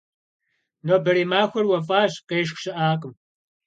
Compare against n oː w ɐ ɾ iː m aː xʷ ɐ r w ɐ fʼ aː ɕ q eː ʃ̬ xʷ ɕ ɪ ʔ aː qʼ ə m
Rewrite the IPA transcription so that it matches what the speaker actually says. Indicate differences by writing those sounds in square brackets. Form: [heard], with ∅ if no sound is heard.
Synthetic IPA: n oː [b] ɐ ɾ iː m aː xʷ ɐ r w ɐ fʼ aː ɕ q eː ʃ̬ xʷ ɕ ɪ ʔ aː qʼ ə m